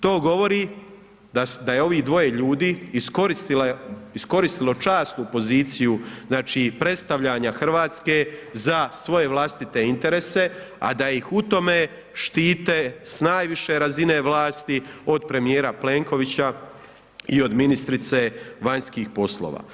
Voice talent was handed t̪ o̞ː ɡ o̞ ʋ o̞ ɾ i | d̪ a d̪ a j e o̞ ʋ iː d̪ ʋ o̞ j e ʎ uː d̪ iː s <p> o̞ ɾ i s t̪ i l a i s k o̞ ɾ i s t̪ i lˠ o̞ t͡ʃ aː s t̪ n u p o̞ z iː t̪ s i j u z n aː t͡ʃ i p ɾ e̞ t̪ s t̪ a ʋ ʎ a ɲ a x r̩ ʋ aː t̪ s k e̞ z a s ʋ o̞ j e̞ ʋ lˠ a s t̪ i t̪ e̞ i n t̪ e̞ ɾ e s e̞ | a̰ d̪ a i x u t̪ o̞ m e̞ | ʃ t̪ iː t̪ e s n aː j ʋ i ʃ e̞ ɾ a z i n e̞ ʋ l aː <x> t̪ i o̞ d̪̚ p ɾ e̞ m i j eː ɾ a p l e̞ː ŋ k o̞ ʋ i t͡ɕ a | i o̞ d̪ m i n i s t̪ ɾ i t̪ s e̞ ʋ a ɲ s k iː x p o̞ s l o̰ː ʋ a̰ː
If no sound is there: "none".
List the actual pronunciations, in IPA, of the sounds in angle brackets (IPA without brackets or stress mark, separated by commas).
k, s